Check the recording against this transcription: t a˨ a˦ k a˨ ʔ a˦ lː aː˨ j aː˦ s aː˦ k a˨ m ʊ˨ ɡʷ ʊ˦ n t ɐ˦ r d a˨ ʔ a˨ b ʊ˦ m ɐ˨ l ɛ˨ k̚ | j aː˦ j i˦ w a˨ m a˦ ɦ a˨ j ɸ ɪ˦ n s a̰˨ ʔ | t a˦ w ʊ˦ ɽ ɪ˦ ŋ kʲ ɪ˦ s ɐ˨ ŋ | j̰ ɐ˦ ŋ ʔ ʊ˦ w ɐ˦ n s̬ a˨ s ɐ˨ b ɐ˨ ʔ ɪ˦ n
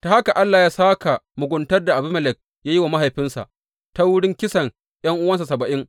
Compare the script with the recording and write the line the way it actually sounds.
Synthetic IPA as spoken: t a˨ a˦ k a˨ ʔ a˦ lː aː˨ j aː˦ s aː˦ k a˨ m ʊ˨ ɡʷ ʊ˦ n t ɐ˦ r d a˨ ʔ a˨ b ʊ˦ m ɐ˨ l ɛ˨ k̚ | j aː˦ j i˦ w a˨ m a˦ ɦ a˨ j ɸ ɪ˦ n s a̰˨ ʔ | t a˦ w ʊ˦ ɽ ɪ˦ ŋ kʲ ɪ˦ s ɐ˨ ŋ | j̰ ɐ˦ ŋ ʔ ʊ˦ w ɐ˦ n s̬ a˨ s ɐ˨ b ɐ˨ ʔ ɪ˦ ŋ